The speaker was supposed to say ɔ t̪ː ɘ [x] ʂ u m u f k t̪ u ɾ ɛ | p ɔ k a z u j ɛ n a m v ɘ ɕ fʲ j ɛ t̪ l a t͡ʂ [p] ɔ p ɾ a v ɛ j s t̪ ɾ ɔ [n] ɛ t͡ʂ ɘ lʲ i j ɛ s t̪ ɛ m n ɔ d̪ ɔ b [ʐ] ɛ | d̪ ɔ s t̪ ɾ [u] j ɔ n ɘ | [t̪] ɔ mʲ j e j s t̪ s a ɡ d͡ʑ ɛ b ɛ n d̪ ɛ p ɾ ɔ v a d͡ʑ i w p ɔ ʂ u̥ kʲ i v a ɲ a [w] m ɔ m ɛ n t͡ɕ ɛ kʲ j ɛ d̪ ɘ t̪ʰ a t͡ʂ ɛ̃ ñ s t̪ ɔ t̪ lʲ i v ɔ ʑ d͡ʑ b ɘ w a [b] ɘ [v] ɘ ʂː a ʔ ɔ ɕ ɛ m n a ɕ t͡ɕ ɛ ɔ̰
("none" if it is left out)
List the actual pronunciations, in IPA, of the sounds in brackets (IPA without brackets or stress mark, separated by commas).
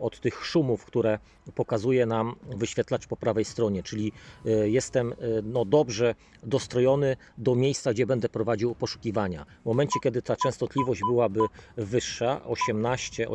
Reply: x, p, ɲ, ʐ, ɔ, d̪, v, b, v